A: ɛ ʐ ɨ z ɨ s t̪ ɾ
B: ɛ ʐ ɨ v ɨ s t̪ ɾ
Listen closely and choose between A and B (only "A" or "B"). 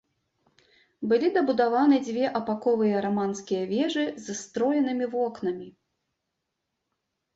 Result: A